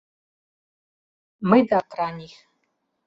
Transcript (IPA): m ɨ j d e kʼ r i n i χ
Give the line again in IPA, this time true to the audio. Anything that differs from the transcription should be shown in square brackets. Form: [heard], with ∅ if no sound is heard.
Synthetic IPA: m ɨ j d [a] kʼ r [a] n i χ